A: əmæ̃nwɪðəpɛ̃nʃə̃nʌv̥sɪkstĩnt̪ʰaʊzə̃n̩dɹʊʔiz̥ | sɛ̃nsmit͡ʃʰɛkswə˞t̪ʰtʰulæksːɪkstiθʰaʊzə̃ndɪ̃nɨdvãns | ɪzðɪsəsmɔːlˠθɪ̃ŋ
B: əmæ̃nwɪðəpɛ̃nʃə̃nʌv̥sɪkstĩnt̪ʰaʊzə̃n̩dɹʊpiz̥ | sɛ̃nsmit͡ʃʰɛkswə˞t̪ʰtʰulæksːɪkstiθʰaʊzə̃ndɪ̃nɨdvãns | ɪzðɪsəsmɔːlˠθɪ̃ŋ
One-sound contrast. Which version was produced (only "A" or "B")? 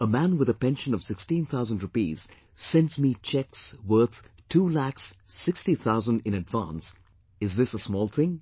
B